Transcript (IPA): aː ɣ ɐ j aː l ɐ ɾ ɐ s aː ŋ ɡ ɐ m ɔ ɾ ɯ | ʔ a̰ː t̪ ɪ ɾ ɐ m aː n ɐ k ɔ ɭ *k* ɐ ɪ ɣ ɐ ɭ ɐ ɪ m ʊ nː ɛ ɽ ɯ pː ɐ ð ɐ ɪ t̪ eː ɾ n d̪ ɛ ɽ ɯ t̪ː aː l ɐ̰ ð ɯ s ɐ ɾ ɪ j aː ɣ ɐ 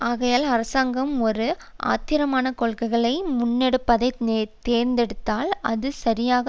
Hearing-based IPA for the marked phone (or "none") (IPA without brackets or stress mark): k